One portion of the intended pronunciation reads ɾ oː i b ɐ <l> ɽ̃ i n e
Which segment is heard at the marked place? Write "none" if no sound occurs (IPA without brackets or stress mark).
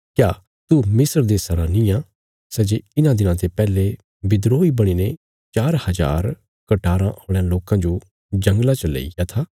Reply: none